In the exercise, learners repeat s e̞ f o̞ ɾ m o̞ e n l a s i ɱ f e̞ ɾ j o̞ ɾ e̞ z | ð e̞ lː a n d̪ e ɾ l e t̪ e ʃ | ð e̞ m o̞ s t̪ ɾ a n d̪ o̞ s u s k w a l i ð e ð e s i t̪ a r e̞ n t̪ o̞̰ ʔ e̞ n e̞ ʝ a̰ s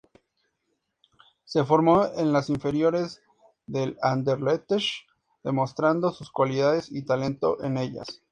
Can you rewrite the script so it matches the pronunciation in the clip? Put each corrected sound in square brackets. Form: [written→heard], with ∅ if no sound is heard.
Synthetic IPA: s e̞ f o̞ ɾ m o̞ e n l a s i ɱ f e̞ ɾ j o̞ ɾ e̞ z | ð e̞ [lː→l] a n d̪ e ɾ l e t̪ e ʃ | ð e̞ m o̞ s t̪ ɾ a n d̪ o̞ s u s k w a l i ð [e→a] ð e s i t̪ a [r→l] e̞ n t̪ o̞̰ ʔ e̞ n e̞ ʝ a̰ s